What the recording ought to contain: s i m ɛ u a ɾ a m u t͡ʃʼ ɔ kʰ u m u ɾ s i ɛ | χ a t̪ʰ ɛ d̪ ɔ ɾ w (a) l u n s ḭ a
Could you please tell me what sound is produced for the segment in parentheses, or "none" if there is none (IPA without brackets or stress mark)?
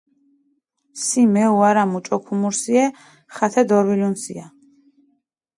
i